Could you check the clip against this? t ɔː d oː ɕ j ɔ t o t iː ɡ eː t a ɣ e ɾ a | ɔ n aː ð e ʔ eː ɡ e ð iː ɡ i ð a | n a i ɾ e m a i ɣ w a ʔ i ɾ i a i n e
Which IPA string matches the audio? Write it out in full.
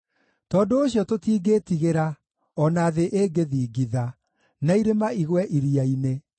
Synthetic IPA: t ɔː d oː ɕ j ɔ t o t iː ɡ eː t i ɣ e ɾ a | ɔ n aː ð e ʔ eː ɡ e ð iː ɡ i ð a | n a i ɾ e m a i ɣ w ɛ ʔ i ɾ i a i n e